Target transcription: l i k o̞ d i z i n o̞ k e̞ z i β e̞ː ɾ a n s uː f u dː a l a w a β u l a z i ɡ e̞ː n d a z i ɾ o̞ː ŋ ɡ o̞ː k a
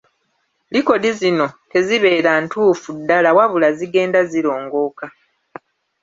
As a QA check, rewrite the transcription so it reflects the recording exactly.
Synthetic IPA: l i k o̞ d i z i n o̞ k e̞ z i β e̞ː ɾ a n t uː f u dː a l a w a β u l a z i ɡ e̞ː n d a z i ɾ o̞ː ŋ ɡ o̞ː k a